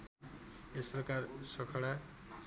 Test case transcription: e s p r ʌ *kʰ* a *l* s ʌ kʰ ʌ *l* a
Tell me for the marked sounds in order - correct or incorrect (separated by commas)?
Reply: incorrect, incorrect, incorrect